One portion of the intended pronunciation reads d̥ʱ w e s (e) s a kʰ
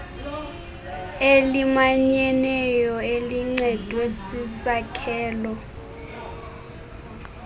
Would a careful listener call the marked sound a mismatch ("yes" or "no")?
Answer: yes